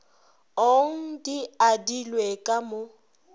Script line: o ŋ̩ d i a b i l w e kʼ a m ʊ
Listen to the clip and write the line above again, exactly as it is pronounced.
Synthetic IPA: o ŋ̩ d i a d i l w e kʼ a m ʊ